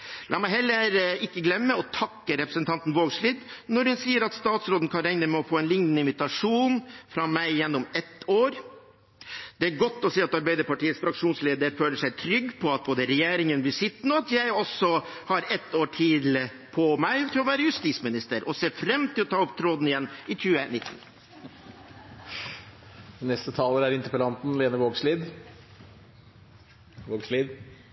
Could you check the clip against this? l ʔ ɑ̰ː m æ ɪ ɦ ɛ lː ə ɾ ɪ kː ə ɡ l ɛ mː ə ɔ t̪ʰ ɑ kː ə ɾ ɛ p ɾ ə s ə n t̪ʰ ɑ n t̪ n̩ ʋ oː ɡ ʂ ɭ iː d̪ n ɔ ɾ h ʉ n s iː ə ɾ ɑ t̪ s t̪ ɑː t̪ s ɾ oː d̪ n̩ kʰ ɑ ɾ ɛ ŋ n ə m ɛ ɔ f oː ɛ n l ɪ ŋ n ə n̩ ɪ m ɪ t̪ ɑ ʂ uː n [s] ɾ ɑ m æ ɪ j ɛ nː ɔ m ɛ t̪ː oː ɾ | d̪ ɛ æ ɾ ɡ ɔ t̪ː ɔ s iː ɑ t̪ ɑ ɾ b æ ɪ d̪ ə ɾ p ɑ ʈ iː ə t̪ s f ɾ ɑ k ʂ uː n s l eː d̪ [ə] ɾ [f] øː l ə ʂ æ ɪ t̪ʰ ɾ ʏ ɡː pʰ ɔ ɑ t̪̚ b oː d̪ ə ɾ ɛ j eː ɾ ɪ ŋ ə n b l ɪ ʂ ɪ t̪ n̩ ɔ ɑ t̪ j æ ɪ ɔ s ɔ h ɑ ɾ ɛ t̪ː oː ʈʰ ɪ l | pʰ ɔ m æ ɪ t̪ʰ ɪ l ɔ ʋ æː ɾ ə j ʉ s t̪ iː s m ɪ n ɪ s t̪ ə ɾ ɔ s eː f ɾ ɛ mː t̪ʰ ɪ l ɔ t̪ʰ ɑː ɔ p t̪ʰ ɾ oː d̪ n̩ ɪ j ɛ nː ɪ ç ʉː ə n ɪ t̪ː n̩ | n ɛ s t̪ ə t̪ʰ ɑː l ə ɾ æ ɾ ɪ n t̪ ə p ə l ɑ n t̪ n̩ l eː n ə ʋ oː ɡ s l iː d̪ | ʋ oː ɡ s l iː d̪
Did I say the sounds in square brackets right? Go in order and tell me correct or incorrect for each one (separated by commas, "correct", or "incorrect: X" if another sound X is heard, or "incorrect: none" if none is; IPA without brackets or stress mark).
incorrect: f, correct, correct